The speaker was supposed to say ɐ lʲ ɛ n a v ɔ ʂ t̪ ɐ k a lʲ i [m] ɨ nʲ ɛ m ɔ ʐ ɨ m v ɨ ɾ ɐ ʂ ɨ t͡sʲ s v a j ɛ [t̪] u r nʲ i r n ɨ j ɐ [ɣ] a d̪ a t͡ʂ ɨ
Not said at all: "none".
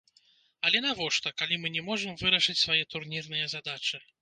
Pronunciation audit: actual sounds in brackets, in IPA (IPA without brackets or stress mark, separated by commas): m, t̪, z